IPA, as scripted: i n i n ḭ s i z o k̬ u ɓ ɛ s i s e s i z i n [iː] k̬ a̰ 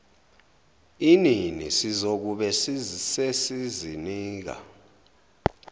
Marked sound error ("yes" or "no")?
no